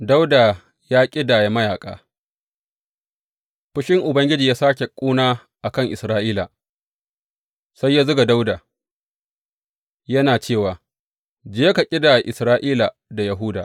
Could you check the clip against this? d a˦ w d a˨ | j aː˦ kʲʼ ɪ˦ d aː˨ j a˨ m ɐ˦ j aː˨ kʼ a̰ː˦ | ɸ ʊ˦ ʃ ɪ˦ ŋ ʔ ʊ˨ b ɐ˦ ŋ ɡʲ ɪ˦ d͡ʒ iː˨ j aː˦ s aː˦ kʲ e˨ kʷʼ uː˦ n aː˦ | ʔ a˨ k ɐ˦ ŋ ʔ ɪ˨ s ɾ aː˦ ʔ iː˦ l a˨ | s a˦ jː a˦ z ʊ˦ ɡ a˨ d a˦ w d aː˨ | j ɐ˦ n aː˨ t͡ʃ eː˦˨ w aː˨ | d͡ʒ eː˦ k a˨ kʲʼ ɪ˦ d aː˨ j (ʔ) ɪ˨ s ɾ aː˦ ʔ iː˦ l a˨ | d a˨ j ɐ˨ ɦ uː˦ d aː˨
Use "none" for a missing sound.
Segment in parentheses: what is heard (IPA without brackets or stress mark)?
ʔ